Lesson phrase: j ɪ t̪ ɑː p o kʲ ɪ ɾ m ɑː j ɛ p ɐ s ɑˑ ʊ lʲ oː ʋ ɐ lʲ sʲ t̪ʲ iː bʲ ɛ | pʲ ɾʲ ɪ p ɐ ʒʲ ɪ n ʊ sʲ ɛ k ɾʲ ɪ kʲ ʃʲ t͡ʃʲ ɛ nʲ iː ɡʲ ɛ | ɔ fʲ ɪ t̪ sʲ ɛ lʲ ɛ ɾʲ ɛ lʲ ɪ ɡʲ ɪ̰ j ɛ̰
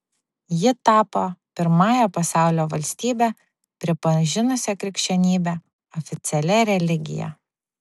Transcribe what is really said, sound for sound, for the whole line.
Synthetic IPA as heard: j ɪ t̪ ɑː p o pʲ ɪ ɾ m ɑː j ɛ p ɐ s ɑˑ ʊ lʲ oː ʋ ɐ lʲ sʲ t̪ʲ iː bʲ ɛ | pʲ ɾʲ ɪ p ɐ ʒʲ ɪ n ʊ sʲ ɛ k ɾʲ ɪ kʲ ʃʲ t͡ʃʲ ɛ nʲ iː bʲ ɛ | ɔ fʲ ɪ t̪ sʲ ɛ lʲ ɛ ɾʲ ɛ lʲ ɪ ɡʲ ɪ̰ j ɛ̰

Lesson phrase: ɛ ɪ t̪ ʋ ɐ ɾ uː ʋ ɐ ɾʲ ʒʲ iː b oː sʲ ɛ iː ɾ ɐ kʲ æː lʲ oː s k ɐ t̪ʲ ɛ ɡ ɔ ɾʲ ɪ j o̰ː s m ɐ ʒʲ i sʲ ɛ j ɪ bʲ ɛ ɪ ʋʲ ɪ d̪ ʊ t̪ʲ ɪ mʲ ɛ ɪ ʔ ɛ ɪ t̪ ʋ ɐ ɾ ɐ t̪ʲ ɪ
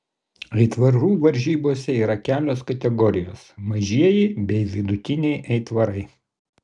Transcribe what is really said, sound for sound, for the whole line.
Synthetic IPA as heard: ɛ ɪ t̪ ʋ ɐ ɾ uː ʋ ɐ ɾʲ ʒʲ iː b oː sʲ ɛ iː ɾ ɐ kʲ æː lʲ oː s k ɐ t̪ʲ ɛ ɡ ɔ ɾʲ ɪ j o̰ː s m ɐ ʒʲ i ɛ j ɪ bʲ ɛ ɪ ʋʲ ɪ d̪ ʊ t̪ʲ ɪ nʲ ɛ ɪ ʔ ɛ ɪ t̪ ʋ ɐ ɾ ɐ ɪ

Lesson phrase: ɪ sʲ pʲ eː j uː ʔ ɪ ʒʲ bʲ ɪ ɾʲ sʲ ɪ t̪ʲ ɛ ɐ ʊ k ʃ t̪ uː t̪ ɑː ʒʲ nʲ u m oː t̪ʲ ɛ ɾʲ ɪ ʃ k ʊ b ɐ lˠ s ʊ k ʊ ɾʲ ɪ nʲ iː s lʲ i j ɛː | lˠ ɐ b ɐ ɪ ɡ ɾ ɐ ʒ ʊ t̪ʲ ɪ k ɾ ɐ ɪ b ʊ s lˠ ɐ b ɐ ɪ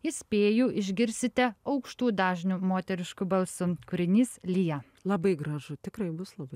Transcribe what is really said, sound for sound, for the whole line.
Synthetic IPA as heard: ɪ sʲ pʲ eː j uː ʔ ɪ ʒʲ ɡʲ ɪ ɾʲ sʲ ɪ t̪ʲ ɛ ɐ ʊ k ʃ t̪ uː d̪ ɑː ʒʲ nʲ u m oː t̪ʲ ɛ ɾʲ ɪ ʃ k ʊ b ɐ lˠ s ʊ k ʊ ɾʲ ɪ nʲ iː s lʲ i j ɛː | lˠ ɐ b ɐ ɪ ɡ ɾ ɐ ʒ ʊ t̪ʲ ɪ k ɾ ɐ ɪ b ʊ s lˠ ɐ b ɐ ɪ

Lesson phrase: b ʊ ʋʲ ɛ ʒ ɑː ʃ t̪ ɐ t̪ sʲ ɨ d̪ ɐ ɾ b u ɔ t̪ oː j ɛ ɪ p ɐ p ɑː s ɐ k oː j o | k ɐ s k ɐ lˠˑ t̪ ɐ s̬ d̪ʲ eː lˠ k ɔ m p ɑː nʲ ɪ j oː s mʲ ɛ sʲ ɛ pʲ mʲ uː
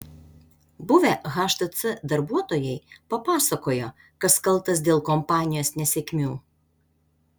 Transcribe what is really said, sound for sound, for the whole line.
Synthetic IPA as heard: b ʊ ʋʲ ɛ ɣ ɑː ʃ t̪ ɐ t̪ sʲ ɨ d̪ ɐ ɾ b u ɔ t̪ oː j ɛ ɪ p ɐ p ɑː s ɐ k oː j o | k ɐ s k ɐ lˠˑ t̪ ɐ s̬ d̪ʲ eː lˠ k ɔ m p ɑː nʲ ɪ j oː s nʲ ɛ sʲ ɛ kʲ mʲ uː

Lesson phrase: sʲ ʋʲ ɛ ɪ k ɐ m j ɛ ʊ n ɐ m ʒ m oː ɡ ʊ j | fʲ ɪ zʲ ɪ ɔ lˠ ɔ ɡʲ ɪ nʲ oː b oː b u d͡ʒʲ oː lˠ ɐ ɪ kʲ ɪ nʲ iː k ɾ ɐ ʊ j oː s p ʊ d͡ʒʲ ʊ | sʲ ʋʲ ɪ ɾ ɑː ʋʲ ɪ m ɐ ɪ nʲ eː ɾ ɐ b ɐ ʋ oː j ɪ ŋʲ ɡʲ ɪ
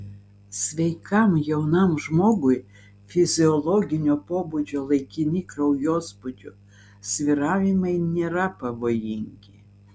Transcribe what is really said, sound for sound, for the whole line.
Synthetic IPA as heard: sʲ ʋʲ ɛ ɪ k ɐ m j ɛ ʊ n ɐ m ʒ m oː ɡ ʊ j | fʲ ɪ zʲ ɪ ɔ lˠ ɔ ɡʲ ɪ nʲ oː p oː b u d͡ʒʲ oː lˠ ɐ ɪ kʲ ɪ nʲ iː k ɾ ɐ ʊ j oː s p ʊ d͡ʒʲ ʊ | sʲ ʋʲ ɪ ɾ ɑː ʋʲ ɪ m ɐ ɪ nʲ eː ɾ ɐ p ɐ ʋ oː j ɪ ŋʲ ɡʲ ɪ

